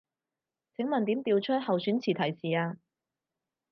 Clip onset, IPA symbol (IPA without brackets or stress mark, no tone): t͡sʰ